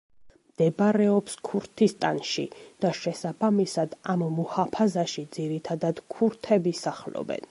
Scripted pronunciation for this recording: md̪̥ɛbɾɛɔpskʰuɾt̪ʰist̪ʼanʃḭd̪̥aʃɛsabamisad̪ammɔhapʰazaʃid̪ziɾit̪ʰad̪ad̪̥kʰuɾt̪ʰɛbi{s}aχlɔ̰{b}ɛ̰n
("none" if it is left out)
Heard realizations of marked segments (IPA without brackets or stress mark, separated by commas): s, b